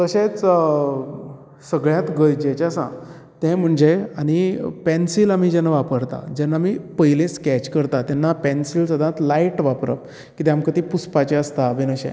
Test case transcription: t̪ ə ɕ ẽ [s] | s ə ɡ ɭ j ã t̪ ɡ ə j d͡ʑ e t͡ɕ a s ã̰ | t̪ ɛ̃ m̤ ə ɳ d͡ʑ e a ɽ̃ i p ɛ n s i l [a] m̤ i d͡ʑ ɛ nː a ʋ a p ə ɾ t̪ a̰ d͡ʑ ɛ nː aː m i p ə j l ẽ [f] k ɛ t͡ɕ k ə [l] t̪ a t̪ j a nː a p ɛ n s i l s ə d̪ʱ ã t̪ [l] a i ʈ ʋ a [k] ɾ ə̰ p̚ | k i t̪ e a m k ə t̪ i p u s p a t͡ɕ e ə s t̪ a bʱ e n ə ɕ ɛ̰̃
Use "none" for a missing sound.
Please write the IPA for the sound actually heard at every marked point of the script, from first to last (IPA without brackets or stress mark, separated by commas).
t͡s, a, s, ɾ, l, p